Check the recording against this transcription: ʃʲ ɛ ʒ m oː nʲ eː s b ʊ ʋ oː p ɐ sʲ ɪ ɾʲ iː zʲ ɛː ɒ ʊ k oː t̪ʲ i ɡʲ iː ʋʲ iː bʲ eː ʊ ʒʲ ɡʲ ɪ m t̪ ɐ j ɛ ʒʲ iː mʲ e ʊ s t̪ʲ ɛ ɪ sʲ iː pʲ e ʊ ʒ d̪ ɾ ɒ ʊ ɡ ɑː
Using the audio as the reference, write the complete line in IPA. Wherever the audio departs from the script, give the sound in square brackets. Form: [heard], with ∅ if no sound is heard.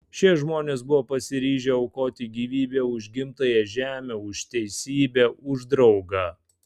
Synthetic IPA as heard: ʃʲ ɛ ʒ m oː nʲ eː s b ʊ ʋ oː p ɐ sʲ ɪ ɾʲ iː [ʒʲ] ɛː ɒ ʊ k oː t̪ʲ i ɡʲ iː ʋʲ iː bʲ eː ʊ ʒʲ ɡʲ ɪ m t̪ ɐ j ɛ ʒʲ [æː] mʲ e ʊ [ʃ] t̪ʲ ɛ ɪ sʲ iː [bʲ] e ʊ ʒ d̪ ɾ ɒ ʊ ɡ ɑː

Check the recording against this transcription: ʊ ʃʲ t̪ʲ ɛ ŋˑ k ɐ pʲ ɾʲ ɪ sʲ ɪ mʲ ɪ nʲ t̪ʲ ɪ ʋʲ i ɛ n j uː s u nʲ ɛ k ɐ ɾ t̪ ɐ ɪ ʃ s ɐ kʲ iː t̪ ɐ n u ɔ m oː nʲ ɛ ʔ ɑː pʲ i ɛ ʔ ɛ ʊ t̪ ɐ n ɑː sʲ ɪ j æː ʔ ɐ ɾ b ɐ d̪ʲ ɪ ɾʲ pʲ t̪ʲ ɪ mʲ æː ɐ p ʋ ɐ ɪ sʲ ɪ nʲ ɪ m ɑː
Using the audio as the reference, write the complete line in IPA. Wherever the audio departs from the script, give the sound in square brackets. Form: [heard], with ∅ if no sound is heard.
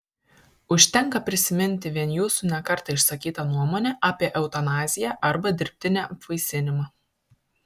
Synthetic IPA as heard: ʊ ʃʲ t̪ʲ ɛ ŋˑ k ɐ pʲ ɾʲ ɪ sʲ ɪ mʲ ɪ nʲ t̪ʲ ɪ ʋʲ i ɛ n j uː s u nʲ ɛ k ɐ ɾ t̪ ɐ ɪ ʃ s ɐ kʲ iː t̪ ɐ n u ɔ m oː nʲ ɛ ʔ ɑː pʲ i ɛ ʔ ɛ ʊ t̪ ɐ n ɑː [zʲ] ɪ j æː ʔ ɐ ɾ b ɐ d̪ʲ ɪ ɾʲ pʲ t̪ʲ ɪ [nʲ] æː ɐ p ʋ ɐ ɪ sʲ ɪ nʲ ɪ m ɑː

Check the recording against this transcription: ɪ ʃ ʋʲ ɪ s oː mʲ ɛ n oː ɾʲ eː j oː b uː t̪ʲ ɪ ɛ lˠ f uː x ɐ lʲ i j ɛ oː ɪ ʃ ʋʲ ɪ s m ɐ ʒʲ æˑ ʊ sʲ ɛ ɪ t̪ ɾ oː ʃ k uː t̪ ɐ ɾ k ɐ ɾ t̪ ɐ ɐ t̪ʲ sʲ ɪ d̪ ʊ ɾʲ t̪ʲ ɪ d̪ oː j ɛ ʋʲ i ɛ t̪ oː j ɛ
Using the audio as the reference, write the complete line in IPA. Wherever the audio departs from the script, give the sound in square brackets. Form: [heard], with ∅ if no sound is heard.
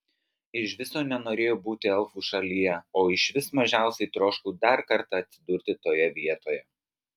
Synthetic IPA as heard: ɪ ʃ ʋʲ ɪ s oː [nʲ] ɛ n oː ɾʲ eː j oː b uː t̪ʲ ɪ ɛ lˠ f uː [ʃ] ɐ lʲ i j ɛ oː ɪ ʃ ʋʲ ɪ s m ɐ ʒʲ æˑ ʊ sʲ ɛ ɪ t̪ ɾ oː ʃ k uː [d̪] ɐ ɾ k ɐ ɾ t̪ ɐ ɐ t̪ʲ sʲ ɪ d̪ ʊ ɾʲ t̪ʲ ɪ [t̪] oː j ɛ ʋʲ i ɛ t̪ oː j ɛ

